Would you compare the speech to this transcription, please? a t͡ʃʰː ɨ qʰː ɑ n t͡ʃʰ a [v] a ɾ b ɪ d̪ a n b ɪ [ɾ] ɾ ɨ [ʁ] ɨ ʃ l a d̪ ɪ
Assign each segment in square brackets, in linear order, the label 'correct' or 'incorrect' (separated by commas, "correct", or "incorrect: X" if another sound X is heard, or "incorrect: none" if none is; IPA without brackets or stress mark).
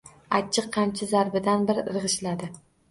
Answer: incorrect: z, correct, correct